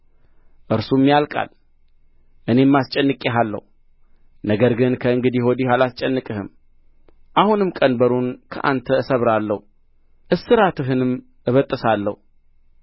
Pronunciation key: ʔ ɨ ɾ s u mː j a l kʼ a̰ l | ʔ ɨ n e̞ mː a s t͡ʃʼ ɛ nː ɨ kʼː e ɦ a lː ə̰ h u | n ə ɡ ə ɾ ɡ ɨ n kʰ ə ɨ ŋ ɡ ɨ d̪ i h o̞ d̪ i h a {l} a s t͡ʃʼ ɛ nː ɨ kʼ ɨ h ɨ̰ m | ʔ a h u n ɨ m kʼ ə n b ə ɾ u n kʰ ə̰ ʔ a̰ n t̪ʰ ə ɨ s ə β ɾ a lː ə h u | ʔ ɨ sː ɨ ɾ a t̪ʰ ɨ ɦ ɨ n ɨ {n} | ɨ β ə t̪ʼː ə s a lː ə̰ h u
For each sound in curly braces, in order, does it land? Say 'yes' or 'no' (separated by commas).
yes, no